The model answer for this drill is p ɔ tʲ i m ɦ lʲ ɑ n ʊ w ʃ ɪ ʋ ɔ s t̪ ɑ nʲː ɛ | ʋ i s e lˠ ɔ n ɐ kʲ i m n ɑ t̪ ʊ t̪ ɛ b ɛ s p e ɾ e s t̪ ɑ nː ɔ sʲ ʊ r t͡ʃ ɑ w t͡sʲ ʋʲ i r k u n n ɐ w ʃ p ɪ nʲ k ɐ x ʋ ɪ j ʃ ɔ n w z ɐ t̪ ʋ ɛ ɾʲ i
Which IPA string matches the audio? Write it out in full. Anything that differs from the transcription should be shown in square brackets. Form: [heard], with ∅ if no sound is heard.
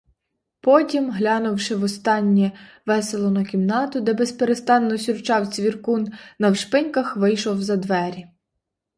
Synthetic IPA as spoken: p ɔ tʲ i m ɦ lʲ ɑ n ʊ w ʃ ɪ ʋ ɔ s t̪ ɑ nʲː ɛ | ʋ [ɛ] s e lˠ ɔ n ɐ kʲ i m n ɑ t̪ ʊ [d̪] ɛ b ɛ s p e ɾ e s t̪ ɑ nː ɔ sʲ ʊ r t͡ʃ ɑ w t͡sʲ ʋʲ i r k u n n ɐ w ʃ p ɪ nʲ k ɐ x ʋ ɪ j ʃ ɔ [∅] w z ɐ [d̪] ʋ ɛ ɾʲ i

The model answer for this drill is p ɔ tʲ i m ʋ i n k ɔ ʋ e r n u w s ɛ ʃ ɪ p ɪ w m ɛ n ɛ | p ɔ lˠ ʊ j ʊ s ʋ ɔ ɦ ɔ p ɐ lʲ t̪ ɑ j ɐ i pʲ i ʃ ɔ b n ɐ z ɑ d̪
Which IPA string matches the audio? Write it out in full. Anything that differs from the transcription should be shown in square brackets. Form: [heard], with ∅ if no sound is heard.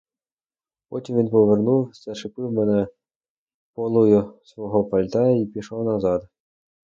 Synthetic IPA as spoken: p ɔ tʲ i m ʋ i n [p] ɔ ʋ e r n u w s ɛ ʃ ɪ p ɪ w m ɛ n ɛ | p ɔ lˠ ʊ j ʊ s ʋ ɔ ɦ ɔ p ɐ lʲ t̪ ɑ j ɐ i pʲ i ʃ ɔ [w] n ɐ z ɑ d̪

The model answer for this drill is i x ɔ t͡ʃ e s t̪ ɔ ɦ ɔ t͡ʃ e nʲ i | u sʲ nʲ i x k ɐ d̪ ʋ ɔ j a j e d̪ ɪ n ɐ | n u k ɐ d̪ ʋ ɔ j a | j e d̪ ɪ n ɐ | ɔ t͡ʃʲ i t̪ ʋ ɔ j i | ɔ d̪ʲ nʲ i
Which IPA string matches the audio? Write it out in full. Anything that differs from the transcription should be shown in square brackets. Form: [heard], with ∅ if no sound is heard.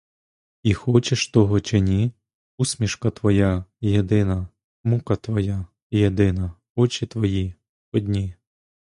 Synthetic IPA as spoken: i x ɔ t͡ʃ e [ʃ] t̪ ɔ ɦ ɔ t͡ʃ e nʲ i | u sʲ [mʲ] i [ʃ] k ɐ [t̪] ʋ ɔ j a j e d̪ ɪ n ɐ | [m] u k ɐ [t̪] ʋ ɔ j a | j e d̪ ɪ n ɐ | ɔ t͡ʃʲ i t̪ ʋ ɔ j i | ɔ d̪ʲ nʲ i

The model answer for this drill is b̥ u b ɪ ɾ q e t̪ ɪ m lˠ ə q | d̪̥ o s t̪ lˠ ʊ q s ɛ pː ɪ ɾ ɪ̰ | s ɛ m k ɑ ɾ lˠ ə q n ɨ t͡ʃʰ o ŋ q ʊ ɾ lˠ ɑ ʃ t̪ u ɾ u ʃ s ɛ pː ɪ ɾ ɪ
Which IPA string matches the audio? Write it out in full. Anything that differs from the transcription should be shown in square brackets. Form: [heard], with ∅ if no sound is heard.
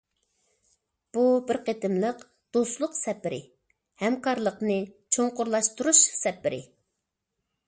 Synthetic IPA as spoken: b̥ u b ɪ ɾ q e t̪ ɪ m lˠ ə q | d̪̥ o s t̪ lˠ ʊ q s ɛ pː ɪ ɾ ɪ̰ | [h] ɛ m k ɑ ɾ lˠ ə q n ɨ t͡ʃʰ o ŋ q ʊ ɾ lˠ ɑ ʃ t̪ u ɾ u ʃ s ɛ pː ɪ ɾ ɪ

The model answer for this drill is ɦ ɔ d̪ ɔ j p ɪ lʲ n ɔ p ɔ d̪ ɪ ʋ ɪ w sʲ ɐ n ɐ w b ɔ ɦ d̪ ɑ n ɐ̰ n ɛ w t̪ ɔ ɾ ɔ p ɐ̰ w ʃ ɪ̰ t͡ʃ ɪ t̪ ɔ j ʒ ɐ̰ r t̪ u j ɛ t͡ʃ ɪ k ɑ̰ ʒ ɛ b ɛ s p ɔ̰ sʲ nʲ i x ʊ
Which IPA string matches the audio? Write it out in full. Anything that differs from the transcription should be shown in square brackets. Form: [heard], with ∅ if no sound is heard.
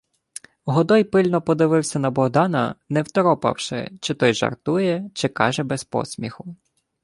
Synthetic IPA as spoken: ɦ ɔ d̪ ɔ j p ɪ lʲ n ɔ p ɔ d̪ ɪ ʋ ɪ w sʲ ɐ n ɐ [∅] b ɔ ɦ d̪ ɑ n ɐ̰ n ɛ w t̪ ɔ ɾ ɔ p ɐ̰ w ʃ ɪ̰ t͡ʃ ɪ t̪ ɔ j ʒ ɐ̰ r t̪ u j ɛ t͡ʃ ɪ k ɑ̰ ʒ ɛ b ɛ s p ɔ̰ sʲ [mʲ] i x ʊ

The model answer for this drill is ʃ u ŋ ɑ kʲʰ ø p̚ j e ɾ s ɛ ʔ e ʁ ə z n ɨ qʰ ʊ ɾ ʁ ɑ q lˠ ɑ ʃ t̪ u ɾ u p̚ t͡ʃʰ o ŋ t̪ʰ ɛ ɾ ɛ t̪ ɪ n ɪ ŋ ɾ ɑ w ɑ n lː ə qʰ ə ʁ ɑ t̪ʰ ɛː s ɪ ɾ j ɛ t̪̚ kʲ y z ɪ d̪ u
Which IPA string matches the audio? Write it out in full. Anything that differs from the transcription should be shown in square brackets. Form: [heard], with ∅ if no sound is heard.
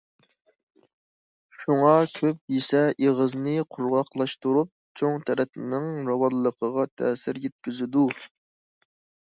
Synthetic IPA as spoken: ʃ u ŋ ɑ kʲʰ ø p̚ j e [∅] s ɛ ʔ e ʁ ə z n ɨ qʰ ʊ ɾ ʁ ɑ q lˠ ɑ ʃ t̪ u ɾ u p̚ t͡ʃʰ o ŋ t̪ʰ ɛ ɾ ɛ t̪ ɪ n ɪ ŋ ɾ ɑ w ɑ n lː ə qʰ ə ʁ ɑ t̪ʰ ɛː s ɪ ɾ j ɛ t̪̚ kʲ y z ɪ d̪ u

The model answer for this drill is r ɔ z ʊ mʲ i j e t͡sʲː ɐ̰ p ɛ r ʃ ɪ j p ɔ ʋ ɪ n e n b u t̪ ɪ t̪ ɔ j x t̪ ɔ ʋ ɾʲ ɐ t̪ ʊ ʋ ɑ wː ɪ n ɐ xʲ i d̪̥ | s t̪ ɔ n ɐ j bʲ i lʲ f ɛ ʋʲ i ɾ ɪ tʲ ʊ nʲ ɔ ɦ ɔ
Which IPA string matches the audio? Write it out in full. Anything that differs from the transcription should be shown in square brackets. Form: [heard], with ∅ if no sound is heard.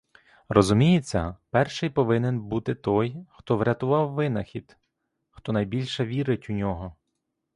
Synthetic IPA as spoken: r ɔ z ʊ mʲ i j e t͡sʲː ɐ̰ p ɛ r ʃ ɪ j p ɔ ʋ ɪ n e n b u t̪ ɪ t̪ ɔ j x t̪ ɔ ʋ ɾʲ ɐ t̪ ʊ ʋ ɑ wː ɪ n ɐ xʲ i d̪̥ | [x] t̪ ɔ n ɐ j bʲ i lʲ [ʃ] ɛ ʋʲ i ɾ ɪ tʲ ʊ nʲ ɔ ɦ ɔ

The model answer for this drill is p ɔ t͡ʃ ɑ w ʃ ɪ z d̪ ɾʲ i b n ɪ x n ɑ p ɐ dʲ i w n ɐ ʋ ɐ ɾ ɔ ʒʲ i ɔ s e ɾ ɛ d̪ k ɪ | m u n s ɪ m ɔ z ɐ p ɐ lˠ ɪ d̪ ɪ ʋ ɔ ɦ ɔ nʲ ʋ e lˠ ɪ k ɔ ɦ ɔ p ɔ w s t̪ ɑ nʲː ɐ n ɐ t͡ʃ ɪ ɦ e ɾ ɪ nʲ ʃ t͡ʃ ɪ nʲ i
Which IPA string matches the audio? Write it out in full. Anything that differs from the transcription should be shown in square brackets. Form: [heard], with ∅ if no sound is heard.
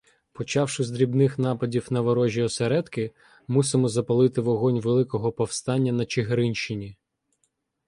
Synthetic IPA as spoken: p ɔ t͡ʃ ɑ w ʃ ɪ z d̪ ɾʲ i b n ɪ x n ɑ p ɐ dʲ i w n ɐ ʋ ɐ ɾ ɔ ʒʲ i ɔ s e ɾ ɛ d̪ k ɪ | m u [∅] s ɪ m ɔ z ɐ p ɐ lˠ ɪ [t̪] ɪ ʋ ɔ ɦ ɔ nʲ ʋ e lˠ ɪ k ɔ ɦ ɔ p ɔ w s t̪ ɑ nʲː ɐ n ɐ t͡ʃ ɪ ɦ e ɾ ɪ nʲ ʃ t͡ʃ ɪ nʲ i

